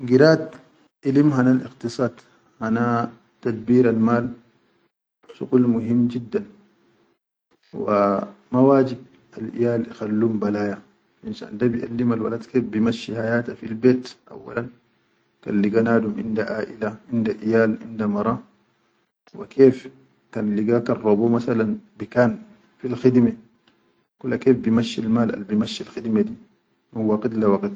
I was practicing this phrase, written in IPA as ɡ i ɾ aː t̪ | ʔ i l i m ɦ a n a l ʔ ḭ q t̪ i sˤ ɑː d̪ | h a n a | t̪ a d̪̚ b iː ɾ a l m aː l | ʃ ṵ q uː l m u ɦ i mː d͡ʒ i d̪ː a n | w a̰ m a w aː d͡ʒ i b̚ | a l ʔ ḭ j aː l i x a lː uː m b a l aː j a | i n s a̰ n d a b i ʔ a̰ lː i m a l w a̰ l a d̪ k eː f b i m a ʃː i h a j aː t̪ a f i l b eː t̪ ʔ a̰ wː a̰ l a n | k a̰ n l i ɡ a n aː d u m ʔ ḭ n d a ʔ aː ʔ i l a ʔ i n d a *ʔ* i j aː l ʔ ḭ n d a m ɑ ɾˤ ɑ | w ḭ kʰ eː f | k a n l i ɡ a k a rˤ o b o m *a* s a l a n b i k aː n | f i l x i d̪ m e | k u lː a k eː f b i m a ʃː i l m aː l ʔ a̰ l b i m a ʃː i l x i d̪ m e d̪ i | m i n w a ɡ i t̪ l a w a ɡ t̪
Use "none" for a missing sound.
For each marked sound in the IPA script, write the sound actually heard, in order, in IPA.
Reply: ʔ, a

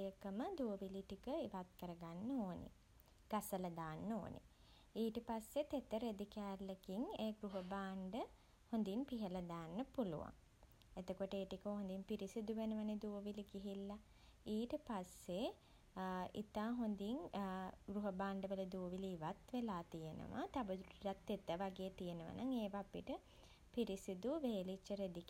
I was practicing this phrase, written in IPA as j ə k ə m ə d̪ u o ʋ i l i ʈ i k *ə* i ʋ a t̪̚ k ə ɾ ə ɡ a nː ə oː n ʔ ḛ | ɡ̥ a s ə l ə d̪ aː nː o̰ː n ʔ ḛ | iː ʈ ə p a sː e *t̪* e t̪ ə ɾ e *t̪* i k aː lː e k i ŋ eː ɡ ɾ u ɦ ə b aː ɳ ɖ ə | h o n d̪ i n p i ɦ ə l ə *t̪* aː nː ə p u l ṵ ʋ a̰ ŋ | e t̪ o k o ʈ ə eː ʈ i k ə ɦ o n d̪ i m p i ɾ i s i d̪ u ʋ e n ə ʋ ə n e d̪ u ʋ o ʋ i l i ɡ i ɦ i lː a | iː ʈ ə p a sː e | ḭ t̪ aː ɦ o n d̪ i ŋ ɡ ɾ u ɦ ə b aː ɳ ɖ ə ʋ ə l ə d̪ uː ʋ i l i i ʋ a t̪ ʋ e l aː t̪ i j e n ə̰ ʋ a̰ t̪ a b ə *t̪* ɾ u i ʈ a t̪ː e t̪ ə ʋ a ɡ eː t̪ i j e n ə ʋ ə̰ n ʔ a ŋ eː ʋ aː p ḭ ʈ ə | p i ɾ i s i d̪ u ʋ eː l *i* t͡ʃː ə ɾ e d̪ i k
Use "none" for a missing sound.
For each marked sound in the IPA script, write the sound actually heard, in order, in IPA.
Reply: ə, t̪, d̪, d̪, d̪, i

